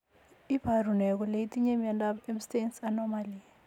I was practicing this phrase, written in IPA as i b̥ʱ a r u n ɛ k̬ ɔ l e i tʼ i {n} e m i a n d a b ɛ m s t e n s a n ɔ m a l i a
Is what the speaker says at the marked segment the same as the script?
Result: no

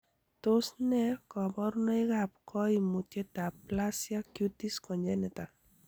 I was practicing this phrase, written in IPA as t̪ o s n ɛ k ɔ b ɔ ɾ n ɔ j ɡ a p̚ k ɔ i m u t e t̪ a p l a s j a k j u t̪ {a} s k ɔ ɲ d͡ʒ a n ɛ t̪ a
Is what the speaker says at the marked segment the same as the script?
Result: no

